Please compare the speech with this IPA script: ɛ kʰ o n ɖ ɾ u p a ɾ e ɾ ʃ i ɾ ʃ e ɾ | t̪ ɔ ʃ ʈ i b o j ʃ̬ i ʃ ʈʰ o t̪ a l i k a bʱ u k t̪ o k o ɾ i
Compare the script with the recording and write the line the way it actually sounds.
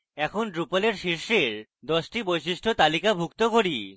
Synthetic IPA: ɛ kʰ o n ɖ ɾ u p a l e ɾ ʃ i ɾ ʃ e ɾ | d̪ ɔ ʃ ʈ i b o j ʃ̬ i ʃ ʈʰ o t̪ a l i k a bʱ u k t̪ o k o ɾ i